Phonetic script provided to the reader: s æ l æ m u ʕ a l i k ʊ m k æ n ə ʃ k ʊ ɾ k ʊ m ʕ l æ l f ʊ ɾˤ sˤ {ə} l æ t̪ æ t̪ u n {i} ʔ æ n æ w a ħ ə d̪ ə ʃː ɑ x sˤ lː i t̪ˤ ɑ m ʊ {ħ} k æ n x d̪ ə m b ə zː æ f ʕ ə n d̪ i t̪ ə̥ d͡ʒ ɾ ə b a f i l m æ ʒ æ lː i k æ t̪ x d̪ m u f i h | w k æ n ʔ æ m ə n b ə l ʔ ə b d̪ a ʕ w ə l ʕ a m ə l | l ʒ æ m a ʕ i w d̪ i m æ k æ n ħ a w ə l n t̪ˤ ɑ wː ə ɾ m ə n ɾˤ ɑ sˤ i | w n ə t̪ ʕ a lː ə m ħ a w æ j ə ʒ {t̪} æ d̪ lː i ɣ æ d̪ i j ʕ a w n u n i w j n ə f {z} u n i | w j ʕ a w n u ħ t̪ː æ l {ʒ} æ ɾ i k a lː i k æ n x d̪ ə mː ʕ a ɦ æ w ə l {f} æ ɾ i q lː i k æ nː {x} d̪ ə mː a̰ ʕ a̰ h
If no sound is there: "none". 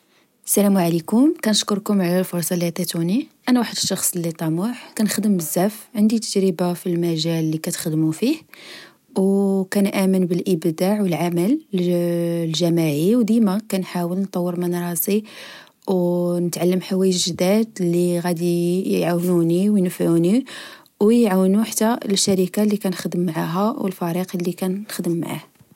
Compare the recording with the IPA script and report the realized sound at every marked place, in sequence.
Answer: ɑ, i, ħ, d̪, ʕ, ʃ, f, x

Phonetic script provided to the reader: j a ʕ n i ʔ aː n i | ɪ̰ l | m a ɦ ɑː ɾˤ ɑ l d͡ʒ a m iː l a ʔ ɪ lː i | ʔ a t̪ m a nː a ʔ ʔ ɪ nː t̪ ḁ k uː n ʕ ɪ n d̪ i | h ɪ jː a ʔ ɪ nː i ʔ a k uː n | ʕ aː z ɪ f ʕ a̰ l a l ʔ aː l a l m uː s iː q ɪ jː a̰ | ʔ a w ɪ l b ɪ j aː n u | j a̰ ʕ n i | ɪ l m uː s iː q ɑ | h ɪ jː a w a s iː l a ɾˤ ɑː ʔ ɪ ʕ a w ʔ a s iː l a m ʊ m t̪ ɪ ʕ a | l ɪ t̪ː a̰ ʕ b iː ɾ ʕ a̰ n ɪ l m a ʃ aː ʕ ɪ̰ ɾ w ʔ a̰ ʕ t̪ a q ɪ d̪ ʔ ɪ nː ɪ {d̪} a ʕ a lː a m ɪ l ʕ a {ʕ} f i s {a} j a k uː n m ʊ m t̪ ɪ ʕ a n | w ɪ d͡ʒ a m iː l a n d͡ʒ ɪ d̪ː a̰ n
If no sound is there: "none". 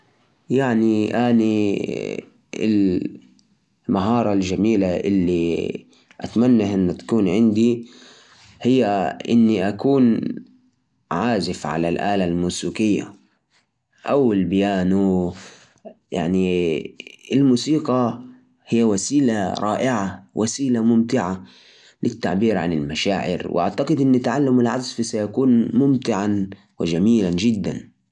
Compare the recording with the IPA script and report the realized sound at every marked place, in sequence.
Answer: t̪, z, a

